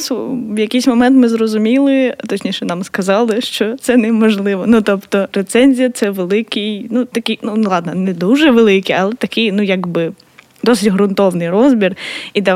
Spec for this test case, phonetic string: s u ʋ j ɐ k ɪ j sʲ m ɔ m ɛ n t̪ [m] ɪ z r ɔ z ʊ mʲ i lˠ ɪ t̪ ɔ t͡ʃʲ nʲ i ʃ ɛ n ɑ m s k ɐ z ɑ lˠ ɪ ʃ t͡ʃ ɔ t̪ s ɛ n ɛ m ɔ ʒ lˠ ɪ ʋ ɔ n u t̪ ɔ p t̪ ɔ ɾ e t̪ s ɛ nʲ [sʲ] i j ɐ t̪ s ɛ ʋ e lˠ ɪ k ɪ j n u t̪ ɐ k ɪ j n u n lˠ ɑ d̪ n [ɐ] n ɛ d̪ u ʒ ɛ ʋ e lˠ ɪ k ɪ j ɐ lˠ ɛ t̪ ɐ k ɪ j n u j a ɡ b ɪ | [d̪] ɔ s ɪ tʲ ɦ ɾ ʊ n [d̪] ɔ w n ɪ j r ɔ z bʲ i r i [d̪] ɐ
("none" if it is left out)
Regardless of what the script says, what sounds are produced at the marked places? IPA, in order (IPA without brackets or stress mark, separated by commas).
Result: m, zʲ, ɐ, d̪, t̪, d̪